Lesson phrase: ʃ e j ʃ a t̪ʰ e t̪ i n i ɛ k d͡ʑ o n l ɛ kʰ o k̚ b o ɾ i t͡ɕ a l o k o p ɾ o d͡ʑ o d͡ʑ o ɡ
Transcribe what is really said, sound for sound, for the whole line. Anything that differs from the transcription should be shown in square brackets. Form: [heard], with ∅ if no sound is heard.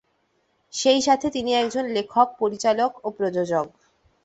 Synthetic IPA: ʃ e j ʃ a t̪ʰ e t̪ i n i ɛ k d͡ʑ o n l [e] kʰ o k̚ [p] o ɾ i t͡ɕ a l o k o p ɾ o d͡ʑ o d͡ʑ o ɡ

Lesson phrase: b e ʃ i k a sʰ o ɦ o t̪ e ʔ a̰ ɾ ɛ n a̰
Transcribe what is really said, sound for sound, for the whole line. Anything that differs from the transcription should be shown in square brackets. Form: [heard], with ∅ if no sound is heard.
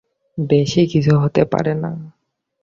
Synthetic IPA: b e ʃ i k [i] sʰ [u] ɦ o t̪ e [p] a̰ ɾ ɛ n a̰

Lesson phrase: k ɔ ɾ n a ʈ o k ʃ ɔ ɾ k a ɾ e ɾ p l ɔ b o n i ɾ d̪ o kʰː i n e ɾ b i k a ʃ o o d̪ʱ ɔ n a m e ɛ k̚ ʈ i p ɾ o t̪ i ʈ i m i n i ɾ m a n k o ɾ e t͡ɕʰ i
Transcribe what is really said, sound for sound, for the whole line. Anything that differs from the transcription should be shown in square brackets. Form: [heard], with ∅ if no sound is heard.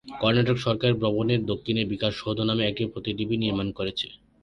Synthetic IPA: k ɔ ɾ n a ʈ o k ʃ ɔ ɾ k a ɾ e ɾ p [ɾ] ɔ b o n [e] ɾ d̪ o kʰː i n e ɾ b i k a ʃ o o d̪ʱ [o] n a m e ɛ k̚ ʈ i p ɾ o t̪ i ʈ i [b] i n i ɾ m a n k o ɾ e t͡ɕʰ [e]

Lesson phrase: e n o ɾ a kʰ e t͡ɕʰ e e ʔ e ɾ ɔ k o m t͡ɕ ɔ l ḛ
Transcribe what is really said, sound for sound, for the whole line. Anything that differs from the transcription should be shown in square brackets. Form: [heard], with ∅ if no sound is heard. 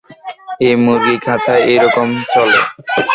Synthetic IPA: e [m] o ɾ [i] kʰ [a] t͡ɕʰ [a] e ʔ e ɾ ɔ k o m t͡ɕ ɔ l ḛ

